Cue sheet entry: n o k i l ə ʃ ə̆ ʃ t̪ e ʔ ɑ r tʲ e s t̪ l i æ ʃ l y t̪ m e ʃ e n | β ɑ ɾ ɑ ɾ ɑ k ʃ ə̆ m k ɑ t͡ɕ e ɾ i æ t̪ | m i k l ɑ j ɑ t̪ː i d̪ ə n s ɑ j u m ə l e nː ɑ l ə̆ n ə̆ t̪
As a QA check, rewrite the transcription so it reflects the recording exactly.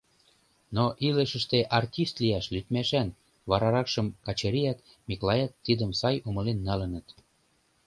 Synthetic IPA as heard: n o ʔ i l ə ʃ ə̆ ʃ t̪ e ʔ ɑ r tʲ i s t̪ l i æ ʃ l y t̪ m æ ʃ æ n | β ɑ ɾ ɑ ɾ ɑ k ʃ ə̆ m k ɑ t͡ɕ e ɾ i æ t̪ | m i k l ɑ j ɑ t̪ː i d̪ ə m s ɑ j u m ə l e nː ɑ l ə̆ n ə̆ t̪